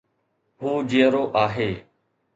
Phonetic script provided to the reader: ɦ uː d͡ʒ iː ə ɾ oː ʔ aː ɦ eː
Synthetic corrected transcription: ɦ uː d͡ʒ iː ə ɾ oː ʔ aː ɦ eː